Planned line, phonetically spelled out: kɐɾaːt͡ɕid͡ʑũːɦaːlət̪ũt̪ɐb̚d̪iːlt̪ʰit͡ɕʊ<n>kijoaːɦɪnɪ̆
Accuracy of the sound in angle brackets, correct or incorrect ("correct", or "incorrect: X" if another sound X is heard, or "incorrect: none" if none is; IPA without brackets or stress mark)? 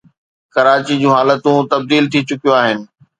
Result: incorrect: none